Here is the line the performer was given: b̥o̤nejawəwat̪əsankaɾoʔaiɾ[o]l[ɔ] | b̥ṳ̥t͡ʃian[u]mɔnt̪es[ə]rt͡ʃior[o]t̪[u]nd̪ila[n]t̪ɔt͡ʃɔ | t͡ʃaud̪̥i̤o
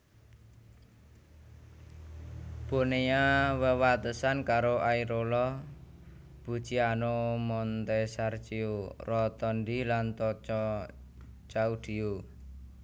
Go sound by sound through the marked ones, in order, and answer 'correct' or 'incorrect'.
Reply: correct, correct, incorrect: o, incorrect: a, incorrect: ɔ, incorrect: ɔ, correct

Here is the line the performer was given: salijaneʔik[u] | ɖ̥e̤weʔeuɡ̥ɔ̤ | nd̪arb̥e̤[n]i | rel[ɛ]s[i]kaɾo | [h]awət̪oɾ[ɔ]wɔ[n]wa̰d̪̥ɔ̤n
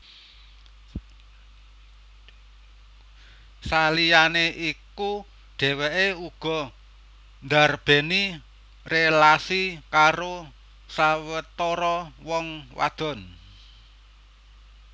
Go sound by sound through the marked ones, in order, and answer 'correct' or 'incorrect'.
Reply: correct, correct, incorrect: a, correct, incorrect: s, correct, incorrect: ŋ

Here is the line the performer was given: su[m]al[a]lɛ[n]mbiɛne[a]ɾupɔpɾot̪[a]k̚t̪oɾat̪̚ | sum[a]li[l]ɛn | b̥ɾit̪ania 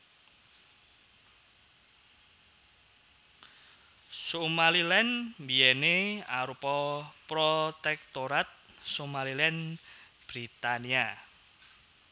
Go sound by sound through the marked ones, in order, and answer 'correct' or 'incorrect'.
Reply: correct, incorrect: i, correct, correct, incorrect: ɛ, correct, correct

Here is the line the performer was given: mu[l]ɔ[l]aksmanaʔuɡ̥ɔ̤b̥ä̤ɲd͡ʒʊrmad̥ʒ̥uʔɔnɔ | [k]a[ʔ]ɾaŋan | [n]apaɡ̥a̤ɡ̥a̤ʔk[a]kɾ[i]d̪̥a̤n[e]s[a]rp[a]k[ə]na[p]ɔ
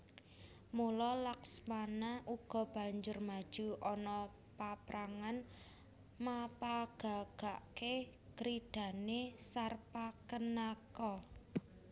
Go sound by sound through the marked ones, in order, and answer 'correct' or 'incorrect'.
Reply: correct, correct, incorrect: p, incorrect: p, incorrect: m, incorrect: e, correct, correct, correct, correct, correct, incorrect: k

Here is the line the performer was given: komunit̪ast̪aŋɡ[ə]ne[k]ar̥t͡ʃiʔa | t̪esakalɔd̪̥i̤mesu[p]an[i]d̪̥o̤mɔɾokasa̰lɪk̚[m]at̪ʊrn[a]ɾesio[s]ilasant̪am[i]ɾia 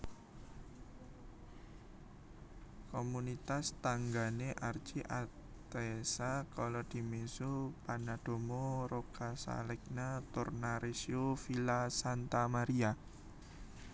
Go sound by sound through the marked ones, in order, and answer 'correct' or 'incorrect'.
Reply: incorrect: a, incorrect: ʔ, correct, incorrect: a, incorrect: n, correct, incorrect: f, incorrect: a

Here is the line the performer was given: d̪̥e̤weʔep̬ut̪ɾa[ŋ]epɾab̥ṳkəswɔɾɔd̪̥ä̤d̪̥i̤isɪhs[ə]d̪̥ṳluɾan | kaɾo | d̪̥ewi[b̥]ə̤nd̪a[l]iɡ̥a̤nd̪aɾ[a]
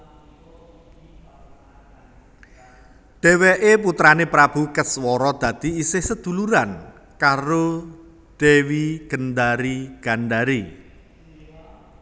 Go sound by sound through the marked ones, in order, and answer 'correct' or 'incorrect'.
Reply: incorrect: n, correct, incorrect: ɡ̥, incorrect: ɾ, incorrect: i

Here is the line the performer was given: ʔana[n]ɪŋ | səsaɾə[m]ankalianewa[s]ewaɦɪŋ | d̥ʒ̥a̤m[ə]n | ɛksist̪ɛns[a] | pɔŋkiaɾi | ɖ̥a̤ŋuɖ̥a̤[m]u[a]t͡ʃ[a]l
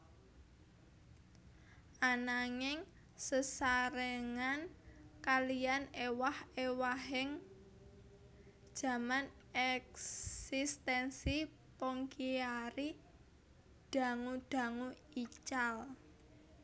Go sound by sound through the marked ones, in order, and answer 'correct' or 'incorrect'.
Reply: incorrect: ŋ, incorrect: ŋ, incorrect: h, incorrect: a, incorrect: i, incorrect: ŋ, incorrect: i, correct

